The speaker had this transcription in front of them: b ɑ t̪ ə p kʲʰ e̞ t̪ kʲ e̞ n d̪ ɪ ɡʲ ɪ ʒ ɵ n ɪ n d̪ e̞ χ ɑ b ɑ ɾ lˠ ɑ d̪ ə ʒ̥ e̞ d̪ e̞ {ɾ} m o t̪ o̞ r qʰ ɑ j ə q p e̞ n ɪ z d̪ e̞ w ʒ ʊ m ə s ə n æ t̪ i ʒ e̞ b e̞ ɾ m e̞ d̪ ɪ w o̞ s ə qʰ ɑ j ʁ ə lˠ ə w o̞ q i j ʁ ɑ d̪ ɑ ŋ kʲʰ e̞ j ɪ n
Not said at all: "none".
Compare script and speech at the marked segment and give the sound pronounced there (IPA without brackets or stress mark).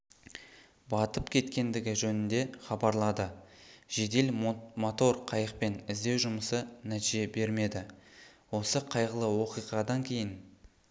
l